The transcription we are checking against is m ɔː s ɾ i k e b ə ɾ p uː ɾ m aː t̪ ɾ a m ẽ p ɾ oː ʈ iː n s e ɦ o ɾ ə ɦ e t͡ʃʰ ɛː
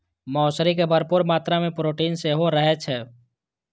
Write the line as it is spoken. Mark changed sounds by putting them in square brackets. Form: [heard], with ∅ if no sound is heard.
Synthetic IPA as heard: m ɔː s ɾ i k e b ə ɾ p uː ɾ m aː t̪ ɾ a m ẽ p ɾ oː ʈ iː n s e ɦ o ɾ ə ɦ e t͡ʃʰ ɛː